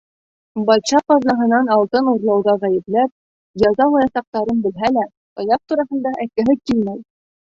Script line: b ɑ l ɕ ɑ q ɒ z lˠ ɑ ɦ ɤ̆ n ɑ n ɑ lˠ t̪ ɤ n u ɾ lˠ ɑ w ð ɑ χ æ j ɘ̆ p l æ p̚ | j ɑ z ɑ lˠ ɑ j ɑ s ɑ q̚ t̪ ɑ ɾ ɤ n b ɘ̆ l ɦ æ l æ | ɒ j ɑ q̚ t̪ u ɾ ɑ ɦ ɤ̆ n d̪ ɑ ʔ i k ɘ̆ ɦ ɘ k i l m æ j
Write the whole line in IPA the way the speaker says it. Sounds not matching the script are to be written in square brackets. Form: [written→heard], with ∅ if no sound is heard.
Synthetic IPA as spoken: b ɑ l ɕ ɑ q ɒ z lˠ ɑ ɦ ɤ̆ n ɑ n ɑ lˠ t̪ ɤ n u ɾ lˠ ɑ w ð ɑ [χ→ʁ] æ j ɘ̆ p l æ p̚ | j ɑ z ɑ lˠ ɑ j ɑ s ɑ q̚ t̪ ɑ ɾ ɤ n b ɘ̆ l ɦ æ l æ | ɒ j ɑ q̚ t̪ u ɾ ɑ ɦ ɤ̆ n d̪ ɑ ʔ [i→æ] k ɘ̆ ɦ ɘ k i l m æ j